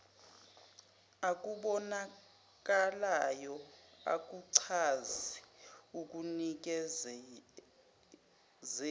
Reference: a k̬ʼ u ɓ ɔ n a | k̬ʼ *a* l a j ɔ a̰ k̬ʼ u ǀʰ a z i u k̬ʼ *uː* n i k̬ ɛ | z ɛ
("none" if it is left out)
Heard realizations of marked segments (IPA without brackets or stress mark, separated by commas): a, u